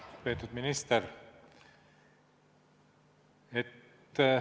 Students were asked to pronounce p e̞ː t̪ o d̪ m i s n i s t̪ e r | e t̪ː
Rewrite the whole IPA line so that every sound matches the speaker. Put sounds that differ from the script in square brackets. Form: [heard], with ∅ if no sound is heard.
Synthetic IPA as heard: p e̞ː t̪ [u] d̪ m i [∅] n i s t̪ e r | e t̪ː